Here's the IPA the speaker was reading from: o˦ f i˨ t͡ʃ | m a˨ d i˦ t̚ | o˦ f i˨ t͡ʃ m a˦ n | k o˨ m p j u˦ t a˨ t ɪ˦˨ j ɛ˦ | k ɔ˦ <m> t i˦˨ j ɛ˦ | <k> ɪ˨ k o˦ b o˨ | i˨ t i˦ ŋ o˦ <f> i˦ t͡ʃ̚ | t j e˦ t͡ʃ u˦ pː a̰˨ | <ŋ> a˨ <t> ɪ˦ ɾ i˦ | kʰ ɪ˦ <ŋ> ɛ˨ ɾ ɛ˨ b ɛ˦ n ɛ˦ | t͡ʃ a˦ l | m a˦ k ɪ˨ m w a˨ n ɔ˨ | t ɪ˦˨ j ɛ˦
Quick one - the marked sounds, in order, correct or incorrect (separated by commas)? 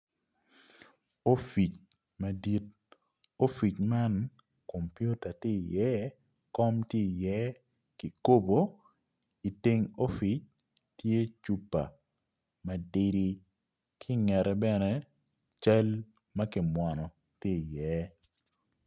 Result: correct, correct, correct, incorrect, incorrect, correct